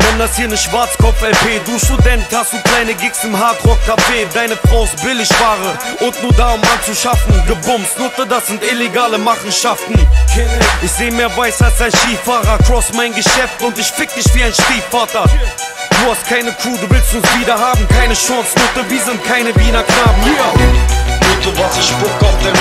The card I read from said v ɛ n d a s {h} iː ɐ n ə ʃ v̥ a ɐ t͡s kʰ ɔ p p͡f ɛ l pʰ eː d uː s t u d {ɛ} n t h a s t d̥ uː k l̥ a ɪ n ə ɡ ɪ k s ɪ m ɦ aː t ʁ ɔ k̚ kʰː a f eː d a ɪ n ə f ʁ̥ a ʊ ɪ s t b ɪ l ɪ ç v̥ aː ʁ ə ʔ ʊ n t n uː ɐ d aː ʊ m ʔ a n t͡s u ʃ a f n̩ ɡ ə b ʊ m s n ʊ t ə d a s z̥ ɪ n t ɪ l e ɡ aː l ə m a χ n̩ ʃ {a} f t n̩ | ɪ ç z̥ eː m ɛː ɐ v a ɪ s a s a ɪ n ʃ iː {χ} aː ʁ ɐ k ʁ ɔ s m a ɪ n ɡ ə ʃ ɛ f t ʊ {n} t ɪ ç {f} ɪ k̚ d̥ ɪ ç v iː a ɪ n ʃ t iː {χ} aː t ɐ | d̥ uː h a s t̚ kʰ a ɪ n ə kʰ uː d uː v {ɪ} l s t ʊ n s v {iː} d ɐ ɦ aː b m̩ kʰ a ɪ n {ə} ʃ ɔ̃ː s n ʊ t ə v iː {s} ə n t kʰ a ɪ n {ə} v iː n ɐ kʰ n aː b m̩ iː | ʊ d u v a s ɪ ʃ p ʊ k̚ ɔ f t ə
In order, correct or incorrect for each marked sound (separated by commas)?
correct, correct, correct, incorrect, correct, correct, incorrect, correct, correct, correct, incorrect, correct